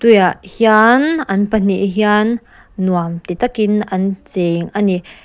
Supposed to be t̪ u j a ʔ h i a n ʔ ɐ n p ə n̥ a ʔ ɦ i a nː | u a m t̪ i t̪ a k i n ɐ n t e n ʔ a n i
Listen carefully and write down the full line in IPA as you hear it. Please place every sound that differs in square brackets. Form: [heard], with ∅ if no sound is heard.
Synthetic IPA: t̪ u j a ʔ h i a n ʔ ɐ n p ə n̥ [i] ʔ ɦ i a nː | u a m t̪ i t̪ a k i n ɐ n [t͡s] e [ŋ] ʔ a n i